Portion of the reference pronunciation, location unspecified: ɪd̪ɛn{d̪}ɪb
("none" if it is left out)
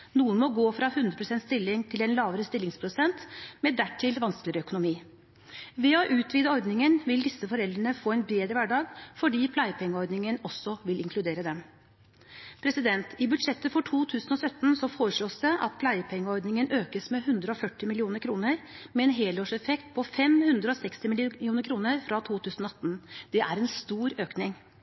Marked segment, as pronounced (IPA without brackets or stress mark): t̪